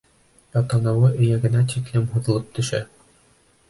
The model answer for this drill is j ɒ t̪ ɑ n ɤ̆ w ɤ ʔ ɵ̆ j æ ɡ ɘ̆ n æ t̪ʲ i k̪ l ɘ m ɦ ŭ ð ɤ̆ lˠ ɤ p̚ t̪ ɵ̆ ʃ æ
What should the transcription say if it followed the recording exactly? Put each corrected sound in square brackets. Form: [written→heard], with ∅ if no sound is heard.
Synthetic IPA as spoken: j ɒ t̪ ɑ n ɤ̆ w ɤ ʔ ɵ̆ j æ ɡ ɘ̆ n æ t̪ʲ i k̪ l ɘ m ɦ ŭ ð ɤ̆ lˠ ɤ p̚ t̪ ɵ̆ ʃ æ